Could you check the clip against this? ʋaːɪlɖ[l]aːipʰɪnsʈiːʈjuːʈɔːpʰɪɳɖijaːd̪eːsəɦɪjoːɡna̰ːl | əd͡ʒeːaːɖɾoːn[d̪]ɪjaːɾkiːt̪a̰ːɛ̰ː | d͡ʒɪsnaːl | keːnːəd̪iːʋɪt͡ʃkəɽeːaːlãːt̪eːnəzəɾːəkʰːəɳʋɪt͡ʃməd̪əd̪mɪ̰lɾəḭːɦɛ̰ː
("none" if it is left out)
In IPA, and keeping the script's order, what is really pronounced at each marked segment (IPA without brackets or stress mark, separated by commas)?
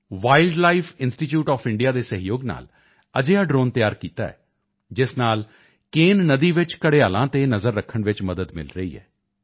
l, t̪